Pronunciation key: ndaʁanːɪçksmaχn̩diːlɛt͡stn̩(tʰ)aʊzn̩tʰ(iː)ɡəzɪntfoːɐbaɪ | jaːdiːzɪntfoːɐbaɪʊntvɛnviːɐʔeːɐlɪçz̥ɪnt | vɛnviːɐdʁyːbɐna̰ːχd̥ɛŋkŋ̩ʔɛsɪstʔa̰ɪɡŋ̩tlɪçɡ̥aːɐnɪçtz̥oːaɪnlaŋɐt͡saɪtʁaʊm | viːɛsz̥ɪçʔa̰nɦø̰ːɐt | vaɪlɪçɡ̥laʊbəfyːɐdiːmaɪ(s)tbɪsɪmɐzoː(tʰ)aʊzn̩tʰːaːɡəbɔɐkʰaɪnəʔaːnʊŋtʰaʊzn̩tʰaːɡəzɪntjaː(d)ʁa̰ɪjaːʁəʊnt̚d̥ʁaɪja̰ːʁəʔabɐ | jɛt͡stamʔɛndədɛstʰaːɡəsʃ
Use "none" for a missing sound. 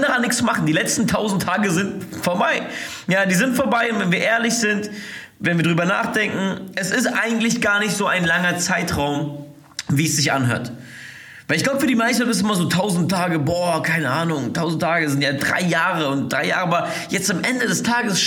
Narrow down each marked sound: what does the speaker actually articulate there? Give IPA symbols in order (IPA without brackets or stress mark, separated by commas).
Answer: tʰ, aː, s, tʰ, d